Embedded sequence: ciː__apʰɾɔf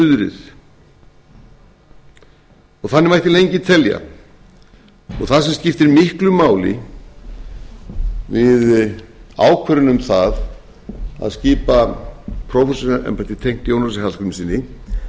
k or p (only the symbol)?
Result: p